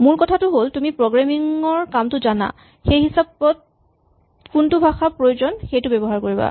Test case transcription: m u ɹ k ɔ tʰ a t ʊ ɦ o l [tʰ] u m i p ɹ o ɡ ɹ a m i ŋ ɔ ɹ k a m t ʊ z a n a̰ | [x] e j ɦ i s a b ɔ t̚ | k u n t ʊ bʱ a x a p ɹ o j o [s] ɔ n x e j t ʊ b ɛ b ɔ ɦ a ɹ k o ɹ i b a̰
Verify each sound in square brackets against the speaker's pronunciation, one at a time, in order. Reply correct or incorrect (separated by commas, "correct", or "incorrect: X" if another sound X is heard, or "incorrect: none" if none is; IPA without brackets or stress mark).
incorrect: t, correct, incorrect: z